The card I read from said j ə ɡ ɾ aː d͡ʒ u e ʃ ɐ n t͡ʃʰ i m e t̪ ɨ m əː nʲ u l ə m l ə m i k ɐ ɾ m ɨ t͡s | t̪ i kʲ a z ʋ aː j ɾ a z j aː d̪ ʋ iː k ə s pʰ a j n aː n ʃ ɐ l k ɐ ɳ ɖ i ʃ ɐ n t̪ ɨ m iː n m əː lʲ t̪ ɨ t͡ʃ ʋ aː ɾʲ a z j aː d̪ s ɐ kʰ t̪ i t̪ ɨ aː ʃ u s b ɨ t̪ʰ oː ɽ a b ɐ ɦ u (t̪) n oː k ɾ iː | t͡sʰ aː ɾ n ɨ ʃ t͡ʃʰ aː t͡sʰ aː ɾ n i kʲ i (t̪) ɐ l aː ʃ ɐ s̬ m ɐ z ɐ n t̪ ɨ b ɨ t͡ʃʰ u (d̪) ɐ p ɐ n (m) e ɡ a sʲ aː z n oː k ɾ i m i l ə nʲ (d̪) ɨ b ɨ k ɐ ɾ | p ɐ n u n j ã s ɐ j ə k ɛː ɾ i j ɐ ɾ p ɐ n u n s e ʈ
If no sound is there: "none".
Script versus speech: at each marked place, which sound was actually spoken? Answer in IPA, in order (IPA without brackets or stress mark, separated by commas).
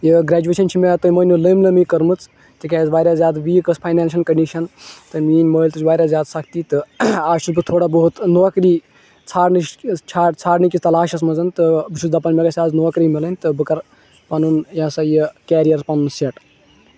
t̪, t̪, d̪, m, t̪